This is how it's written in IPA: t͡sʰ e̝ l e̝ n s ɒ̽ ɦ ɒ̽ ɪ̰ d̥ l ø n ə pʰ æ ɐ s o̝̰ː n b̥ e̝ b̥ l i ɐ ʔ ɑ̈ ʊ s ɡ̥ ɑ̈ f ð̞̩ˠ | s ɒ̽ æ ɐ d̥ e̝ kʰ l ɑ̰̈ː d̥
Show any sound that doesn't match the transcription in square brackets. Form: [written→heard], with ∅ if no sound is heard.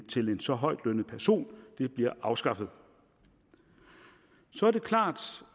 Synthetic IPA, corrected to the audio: t͡sʰ e̝ l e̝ n s ɒ̽ ɦ ɒ̽ ɪ̰ d̥ l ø n ə pʰ æ ɐ s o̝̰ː n [b̥→d̥] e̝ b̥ l i ɐ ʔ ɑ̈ ʊ s ɡ̥ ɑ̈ f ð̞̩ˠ | s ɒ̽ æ ɐ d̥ e̝ kʰ l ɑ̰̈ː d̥

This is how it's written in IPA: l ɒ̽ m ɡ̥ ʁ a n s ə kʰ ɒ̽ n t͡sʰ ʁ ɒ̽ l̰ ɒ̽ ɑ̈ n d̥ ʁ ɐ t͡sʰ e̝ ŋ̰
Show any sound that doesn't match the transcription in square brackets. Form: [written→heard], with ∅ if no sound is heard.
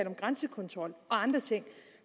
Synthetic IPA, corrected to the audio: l ɒ̽ m ɡ̥ ʁ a n s ə kʰ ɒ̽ n t͡sʰ ʁ ɒ̽ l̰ ɒ̽ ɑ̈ n d̥ ʁ ɐ t͡sʰ e̝ ŋ̰

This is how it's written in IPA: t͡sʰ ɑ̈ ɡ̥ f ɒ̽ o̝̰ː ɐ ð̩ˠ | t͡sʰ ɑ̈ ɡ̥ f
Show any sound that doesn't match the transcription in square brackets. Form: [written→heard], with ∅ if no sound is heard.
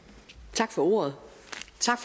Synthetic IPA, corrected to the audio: t͡sʰ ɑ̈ ɡ̥ f ɒ̽ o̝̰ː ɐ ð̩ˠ | t͡sʰ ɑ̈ ɡ̥ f

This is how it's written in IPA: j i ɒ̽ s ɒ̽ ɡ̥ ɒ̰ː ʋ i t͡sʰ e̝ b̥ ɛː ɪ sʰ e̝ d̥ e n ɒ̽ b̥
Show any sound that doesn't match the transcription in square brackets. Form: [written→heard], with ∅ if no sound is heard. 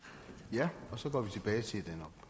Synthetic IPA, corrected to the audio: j [i→æ] ɒ̽ s ɒ̽ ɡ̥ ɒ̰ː ʋ i t͡sʰ e̝ b̥ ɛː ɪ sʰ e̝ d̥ e n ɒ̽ b̥

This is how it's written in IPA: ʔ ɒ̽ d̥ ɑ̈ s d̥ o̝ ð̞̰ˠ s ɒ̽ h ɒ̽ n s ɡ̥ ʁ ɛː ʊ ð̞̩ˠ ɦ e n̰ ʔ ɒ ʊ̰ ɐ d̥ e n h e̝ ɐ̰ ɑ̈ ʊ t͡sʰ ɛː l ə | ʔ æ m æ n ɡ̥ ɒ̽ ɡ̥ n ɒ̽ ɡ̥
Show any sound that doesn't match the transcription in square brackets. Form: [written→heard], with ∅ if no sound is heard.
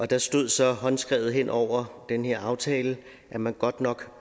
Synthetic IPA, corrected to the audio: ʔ ɒ̽ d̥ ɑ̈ s d̥ o̝ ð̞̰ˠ s ɒ̽ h ɒ̽ n s ɡ̥ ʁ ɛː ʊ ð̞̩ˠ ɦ e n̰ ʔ ɒ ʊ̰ ɐ d̥ e n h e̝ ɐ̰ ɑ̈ ʊ t͡sʰ ɛː l ə | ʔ æ m æ n ɡ̥ ɒ̽ [ɡ̥→d̥] n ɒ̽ ɡ̥

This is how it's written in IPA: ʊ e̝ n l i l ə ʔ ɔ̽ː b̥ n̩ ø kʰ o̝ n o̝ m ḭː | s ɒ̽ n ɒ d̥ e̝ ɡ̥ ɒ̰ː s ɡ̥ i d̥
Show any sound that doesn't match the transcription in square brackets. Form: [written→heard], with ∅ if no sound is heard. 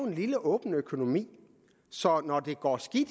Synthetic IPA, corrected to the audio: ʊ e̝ n l i l ə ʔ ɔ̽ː b̥ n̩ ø kʰ o̝ n o̝ m ḭː | s ɒ̽ n ɒ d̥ e̝ ɡ̥ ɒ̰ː s ɡ̥ i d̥

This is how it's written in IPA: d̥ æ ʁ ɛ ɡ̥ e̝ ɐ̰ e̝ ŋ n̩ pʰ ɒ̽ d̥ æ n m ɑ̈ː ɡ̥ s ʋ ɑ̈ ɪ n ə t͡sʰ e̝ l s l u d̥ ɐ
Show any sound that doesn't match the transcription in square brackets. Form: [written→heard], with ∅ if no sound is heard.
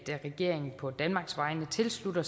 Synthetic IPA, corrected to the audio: d̥ æ ʁ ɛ ɡ̥ e̝ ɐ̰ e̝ ŋ n̩ pʰ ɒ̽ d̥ æ n m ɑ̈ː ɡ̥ s ʋ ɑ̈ ɪ n ə t͡sʰ e̝ l s l u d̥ ɐ

